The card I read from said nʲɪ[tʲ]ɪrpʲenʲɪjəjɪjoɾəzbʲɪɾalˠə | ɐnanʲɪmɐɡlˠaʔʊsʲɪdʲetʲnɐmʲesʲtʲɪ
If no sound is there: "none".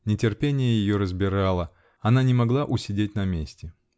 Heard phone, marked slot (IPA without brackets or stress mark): tʲ